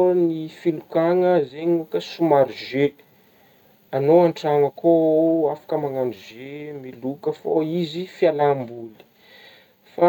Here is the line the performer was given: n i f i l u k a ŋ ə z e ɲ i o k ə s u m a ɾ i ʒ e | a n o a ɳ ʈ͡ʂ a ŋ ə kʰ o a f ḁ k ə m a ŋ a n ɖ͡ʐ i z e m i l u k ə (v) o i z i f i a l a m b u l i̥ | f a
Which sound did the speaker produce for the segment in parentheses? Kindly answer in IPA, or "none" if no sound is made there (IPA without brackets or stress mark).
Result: f